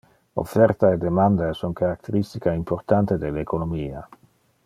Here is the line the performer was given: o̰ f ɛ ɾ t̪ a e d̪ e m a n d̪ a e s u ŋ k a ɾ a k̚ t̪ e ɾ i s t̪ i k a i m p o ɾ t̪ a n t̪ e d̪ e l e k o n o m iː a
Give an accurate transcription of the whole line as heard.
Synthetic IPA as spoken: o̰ f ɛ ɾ t̪ a e d̪ e m a n d̪ a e s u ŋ k a ɾ a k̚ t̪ e ɾ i s t̪ i k a i m p o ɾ t̪ a n t̪ e d̪ e l e k o n o m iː a